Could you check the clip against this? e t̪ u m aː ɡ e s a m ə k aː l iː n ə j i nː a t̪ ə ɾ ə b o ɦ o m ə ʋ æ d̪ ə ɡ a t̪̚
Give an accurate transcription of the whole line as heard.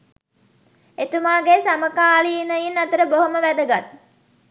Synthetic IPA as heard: e t̪ u m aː ɡ e s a m ə k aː l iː n ə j i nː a t̪ ə ɾ ə b o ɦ o m ə ʋ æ d̪ ə ɡ a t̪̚